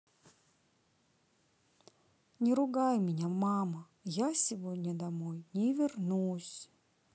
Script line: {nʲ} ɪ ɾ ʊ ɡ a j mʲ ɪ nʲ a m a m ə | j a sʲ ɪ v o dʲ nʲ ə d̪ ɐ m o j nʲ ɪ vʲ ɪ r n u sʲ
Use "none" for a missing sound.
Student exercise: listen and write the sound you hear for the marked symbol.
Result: nʲ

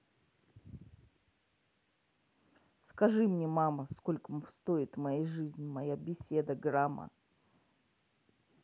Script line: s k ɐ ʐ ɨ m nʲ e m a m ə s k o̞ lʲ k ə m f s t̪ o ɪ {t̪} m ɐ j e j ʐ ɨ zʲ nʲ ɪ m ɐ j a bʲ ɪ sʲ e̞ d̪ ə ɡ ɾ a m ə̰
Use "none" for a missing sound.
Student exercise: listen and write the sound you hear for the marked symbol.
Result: t̪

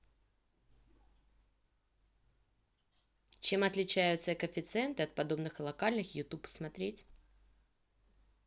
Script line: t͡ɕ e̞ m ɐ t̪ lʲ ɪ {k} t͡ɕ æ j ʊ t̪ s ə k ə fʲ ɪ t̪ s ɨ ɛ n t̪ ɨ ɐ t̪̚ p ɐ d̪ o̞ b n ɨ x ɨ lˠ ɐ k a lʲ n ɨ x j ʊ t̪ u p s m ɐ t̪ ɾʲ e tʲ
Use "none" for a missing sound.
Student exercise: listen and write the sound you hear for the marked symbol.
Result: none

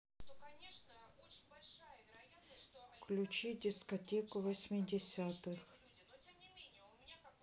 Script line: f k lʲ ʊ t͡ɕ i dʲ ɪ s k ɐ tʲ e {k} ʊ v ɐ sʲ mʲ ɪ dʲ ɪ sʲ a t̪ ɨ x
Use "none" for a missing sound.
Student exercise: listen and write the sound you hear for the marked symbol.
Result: k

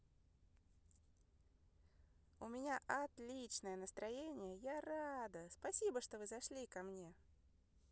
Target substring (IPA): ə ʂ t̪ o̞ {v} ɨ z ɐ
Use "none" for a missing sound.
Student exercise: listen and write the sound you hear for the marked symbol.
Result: v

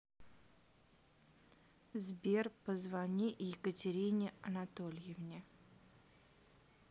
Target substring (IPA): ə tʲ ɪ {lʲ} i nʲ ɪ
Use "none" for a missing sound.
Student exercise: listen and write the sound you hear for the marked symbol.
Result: ɾʲ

